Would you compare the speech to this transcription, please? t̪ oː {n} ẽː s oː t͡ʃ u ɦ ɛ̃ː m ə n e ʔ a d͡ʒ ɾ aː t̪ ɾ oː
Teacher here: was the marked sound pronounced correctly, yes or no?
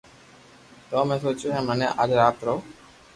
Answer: no